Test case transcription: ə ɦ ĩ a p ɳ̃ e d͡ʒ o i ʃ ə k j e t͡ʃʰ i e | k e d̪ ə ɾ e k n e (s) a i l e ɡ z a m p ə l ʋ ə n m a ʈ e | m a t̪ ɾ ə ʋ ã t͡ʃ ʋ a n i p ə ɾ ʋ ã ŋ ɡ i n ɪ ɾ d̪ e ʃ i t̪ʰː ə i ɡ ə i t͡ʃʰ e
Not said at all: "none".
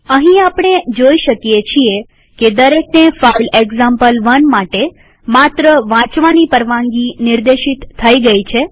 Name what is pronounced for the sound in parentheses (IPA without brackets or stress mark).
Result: f